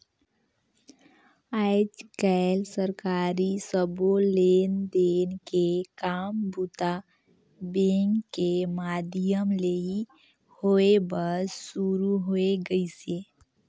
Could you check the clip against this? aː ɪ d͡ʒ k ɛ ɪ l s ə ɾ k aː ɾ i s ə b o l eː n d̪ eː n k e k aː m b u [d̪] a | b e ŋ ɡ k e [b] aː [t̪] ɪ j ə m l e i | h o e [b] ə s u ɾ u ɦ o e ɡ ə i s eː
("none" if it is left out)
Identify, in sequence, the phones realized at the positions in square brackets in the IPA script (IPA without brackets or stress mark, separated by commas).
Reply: t̪, m, d̪, b